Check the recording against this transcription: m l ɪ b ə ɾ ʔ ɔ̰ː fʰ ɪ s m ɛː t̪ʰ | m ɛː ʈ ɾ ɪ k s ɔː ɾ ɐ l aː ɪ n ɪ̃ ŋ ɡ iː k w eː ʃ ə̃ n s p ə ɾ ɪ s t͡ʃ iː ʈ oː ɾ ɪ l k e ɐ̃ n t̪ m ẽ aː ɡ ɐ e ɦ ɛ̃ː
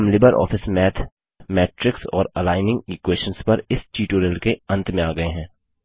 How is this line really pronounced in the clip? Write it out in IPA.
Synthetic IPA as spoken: m l ɪ b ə ɾ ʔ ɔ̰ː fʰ ɪ s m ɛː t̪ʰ | m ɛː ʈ ɾ ɪ k s ɔː ɾ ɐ l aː ɪ n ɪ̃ ŋ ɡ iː k w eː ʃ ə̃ n s p ɐ ɾ ɪ s t͡ʃ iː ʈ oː ɾ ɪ l k e ɐ̃ n t̪ m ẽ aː ɡ ɐ e ɦ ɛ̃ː